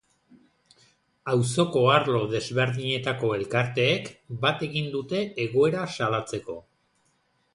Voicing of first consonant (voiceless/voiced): voiced